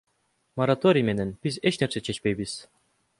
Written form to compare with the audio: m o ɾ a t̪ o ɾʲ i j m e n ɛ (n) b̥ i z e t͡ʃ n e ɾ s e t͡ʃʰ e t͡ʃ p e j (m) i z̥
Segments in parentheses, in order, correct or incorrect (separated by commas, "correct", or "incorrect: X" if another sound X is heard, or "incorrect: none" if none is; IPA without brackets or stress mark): correct, incorrect: b